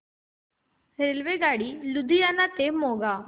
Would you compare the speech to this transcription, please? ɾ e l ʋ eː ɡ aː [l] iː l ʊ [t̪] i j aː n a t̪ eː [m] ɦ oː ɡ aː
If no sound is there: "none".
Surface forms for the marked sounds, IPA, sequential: ɽ, d̪, m

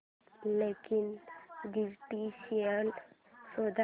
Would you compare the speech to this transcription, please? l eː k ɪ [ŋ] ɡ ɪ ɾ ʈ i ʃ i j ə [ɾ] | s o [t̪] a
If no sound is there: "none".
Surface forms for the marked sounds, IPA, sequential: n, l, d̪

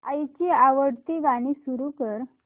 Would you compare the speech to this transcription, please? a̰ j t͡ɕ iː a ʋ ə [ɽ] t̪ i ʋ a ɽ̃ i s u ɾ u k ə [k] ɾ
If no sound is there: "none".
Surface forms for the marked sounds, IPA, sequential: ɽ, none

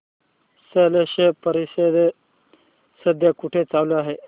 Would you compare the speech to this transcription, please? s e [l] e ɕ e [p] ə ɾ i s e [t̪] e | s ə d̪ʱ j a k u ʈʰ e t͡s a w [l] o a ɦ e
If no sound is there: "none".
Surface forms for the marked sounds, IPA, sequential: l, p, d̪, l

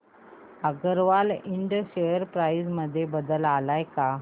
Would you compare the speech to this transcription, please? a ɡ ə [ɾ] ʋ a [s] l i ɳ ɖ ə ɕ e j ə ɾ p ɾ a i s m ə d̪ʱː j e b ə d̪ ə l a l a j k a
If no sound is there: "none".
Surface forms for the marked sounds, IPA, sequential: ɾ, none

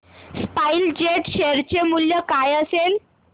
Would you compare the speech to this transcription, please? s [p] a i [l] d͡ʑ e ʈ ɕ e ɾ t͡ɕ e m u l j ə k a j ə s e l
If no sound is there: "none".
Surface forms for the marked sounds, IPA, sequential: p, l

